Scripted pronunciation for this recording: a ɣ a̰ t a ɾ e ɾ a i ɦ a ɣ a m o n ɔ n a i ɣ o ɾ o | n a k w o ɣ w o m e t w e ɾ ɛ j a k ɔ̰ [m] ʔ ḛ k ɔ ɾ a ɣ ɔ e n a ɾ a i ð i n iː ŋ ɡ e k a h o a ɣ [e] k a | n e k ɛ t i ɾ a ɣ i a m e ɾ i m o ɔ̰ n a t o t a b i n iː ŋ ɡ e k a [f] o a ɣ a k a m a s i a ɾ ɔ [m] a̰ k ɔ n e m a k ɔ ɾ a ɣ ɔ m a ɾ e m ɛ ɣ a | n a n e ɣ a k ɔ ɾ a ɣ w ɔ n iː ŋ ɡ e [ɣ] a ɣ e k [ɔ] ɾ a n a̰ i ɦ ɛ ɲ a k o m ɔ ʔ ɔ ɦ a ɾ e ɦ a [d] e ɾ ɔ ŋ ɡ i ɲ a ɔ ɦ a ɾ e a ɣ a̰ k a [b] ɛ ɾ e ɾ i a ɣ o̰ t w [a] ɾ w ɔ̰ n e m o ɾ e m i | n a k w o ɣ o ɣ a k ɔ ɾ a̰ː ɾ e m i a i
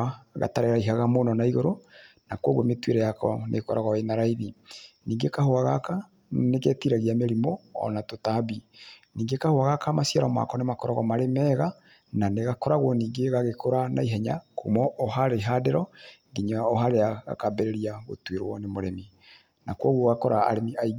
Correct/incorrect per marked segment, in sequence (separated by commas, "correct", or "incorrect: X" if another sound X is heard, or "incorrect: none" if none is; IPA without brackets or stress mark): incorrect: n, incorrect: a, incorrect: h, correct, correct, incorrect: o, correct, correct, incorrect: e